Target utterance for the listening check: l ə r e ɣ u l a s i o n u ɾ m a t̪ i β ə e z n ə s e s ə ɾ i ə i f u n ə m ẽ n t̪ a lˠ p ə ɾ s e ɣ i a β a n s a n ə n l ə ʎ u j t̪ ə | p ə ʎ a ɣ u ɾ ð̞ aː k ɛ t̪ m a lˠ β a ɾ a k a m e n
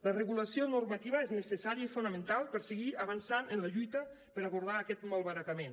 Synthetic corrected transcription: l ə r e ɣ u l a s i o n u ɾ m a t̪ i β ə e z n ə s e s a ɾ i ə i f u n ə m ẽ n t̪ a lˠ p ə ɾ s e ɣ i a β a n s a n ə n l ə ʎ u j t̪ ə | p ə ɾ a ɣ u ɾ ð̞ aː k ɛ t̪ m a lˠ β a ɾ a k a m e n